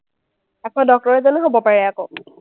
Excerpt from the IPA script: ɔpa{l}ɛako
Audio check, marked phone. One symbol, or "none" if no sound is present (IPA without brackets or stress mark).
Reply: ɹ